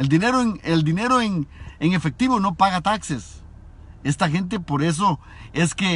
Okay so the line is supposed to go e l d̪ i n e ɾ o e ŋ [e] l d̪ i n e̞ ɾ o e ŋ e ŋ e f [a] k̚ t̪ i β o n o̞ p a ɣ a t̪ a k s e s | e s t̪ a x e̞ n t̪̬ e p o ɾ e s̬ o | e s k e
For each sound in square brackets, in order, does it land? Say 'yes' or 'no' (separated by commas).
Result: yes, no